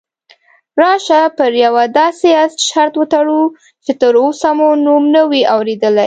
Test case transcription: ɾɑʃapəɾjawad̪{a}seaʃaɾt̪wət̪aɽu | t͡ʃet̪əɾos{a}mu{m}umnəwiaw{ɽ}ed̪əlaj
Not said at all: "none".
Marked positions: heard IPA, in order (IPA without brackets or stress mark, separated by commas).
ɑ, a, n, ɾ